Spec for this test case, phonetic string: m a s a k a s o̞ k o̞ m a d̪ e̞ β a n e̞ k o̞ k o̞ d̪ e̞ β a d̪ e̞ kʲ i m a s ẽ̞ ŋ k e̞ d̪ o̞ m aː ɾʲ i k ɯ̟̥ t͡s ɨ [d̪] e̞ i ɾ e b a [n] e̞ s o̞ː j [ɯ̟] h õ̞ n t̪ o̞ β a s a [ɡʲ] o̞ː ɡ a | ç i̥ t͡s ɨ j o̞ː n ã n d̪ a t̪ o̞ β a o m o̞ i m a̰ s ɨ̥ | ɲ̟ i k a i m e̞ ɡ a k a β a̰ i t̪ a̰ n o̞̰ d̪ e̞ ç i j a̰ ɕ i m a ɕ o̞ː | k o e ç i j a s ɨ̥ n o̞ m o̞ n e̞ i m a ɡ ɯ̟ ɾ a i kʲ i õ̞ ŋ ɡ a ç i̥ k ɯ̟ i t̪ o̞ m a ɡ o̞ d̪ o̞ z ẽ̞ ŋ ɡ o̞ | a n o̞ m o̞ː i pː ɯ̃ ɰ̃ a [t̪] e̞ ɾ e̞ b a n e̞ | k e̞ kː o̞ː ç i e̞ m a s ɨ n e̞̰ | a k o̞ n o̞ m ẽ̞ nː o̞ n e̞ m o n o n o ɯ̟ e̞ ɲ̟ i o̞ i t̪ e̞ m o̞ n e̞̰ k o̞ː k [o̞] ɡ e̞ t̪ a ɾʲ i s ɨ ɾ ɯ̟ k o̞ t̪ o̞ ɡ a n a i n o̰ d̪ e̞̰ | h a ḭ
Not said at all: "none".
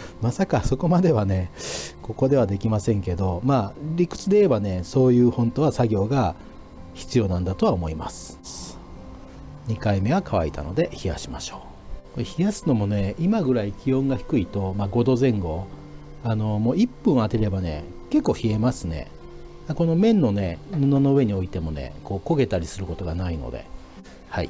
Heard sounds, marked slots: d̪, n, ɯ̟ː, ɡʲ, t̪, o̞

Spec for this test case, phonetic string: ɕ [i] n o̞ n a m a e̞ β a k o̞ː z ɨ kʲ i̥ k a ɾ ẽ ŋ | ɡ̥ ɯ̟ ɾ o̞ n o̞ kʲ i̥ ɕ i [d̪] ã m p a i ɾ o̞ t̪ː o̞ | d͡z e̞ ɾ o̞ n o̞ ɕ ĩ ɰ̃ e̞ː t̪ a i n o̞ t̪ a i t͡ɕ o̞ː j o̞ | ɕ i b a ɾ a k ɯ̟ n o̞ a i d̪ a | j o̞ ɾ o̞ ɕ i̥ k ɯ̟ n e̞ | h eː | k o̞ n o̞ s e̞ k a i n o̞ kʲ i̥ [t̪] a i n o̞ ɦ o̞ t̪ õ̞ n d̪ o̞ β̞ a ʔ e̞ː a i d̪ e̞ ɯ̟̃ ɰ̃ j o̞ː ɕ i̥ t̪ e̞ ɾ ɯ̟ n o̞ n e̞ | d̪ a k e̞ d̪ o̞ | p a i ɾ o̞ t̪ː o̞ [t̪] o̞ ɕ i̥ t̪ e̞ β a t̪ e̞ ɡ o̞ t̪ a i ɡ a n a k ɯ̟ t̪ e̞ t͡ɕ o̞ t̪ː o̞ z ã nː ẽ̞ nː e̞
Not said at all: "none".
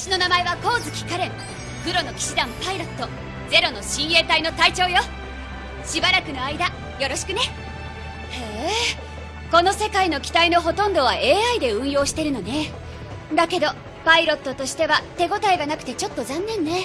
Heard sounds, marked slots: i, d̪, t̪, t̪

